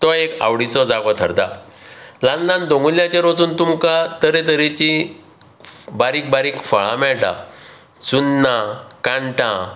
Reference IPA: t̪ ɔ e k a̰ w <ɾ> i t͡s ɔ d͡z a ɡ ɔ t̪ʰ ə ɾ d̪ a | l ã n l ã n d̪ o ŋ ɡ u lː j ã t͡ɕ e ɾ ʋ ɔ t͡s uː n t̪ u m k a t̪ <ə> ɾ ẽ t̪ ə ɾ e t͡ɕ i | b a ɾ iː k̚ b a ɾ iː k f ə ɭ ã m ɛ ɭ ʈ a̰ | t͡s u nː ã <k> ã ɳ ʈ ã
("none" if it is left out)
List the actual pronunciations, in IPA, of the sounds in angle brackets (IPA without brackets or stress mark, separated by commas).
ɽ, ə, k